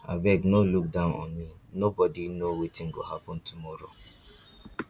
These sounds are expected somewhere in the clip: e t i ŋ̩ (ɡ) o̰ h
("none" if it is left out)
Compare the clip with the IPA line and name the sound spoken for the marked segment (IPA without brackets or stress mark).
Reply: ɡ